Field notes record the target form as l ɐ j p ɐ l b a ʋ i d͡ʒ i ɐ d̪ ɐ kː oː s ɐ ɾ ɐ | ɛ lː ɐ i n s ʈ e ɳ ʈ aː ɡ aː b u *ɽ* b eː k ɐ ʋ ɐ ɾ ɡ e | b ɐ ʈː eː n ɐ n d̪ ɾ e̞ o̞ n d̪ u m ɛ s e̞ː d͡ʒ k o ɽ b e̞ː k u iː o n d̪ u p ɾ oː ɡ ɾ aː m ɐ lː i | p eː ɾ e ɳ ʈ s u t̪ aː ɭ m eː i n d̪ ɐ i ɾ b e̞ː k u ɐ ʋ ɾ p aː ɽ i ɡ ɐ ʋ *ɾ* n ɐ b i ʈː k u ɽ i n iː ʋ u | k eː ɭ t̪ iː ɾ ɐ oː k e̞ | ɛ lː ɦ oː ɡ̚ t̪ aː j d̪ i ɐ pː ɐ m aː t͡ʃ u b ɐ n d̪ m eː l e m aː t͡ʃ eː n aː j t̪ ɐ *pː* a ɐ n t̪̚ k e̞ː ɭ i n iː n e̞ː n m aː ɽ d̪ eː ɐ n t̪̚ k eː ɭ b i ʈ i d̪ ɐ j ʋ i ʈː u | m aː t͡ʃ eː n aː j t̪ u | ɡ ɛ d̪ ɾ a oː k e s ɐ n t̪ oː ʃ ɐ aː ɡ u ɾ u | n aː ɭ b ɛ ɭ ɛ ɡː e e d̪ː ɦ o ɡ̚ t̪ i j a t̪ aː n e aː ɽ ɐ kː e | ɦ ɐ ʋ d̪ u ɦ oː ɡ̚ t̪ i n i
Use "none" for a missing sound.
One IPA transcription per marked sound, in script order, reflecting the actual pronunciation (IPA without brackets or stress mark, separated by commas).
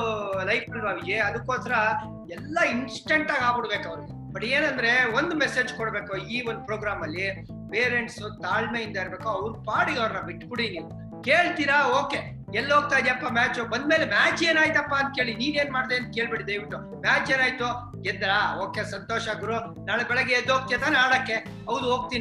ɽ, ɾ, pː